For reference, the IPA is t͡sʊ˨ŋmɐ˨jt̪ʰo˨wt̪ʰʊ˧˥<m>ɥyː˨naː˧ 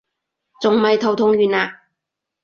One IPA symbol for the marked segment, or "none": ŋ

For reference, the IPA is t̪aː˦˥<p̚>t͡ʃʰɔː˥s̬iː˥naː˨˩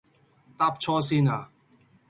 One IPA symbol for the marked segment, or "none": p̚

